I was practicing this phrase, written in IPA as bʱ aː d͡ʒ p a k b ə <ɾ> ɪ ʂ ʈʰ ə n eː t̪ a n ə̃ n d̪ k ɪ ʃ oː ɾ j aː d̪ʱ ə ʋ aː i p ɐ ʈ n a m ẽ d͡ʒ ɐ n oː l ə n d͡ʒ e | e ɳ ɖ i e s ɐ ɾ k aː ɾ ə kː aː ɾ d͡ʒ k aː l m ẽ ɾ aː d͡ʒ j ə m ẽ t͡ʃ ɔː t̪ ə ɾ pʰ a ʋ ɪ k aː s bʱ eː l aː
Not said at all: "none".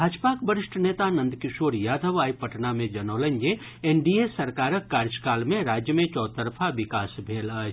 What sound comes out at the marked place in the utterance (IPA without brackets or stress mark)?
ɾ